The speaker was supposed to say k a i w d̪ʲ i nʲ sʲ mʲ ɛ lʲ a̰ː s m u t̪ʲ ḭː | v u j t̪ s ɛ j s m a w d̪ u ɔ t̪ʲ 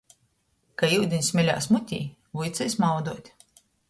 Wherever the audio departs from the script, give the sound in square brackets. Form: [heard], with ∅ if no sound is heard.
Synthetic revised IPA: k a i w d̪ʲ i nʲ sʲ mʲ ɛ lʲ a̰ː s m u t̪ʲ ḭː | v u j t̪ s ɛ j s m a w d̪ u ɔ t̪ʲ